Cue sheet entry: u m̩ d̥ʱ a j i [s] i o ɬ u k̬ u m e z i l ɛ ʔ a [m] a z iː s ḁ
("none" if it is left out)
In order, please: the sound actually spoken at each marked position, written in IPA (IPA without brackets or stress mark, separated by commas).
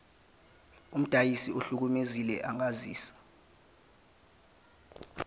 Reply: s, ŋ